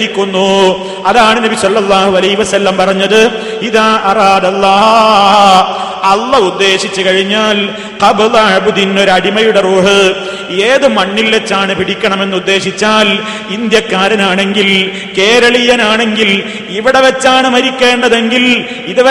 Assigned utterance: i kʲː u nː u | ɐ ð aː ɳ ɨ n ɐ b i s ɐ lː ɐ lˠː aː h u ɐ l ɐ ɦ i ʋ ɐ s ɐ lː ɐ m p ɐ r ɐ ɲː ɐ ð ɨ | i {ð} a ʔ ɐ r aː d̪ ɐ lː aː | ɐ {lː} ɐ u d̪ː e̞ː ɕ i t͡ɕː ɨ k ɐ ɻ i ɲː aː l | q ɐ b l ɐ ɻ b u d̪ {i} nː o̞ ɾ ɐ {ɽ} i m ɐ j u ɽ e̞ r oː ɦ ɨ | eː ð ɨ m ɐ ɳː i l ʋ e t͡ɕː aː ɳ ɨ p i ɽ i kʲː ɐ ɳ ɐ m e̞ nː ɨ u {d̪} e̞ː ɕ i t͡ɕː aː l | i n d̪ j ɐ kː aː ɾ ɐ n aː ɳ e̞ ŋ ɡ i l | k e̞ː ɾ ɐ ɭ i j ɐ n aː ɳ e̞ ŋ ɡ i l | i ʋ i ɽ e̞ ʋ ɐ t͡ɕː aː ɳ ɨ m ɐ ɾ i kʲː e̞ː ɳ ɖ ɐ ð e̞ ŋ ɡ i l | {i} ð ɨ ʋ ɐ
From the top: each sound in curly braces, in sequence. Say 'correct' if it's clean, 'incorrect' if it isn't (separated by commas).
correct, correct, correct, correct, incorrect, correct